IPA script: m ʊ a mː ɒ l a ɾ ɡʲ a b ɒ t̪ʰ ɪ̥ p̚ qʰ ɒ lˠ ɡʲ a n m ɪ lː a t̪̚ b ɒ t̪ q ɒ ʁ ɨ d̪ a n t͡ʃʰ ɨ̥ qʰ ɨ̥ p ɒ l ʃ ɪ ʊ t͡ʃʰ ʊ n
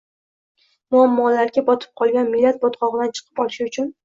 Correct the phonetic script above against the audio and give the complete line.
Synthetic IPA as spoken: m ʊ a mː ɒ l a ɾ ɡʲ a b ɒ t̪ʰ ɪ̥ p̚ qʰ ɒ lˠ ɡʲ a n m ɪ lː a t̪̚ b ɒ t̪ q ɒ ʁ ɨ d̪ a n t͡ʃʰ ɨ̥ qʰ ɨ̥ p ɒ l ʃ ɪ ʊ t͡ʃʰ ʊ n